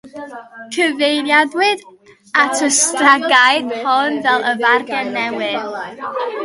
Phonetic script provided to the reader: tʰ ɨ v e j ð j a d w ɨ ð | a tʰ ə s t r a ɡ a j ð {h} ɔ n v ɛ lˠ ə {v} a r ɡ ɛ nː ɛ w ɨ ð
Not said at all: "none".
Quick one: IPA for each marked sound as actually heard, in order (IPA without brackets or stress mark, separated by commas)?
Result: h, v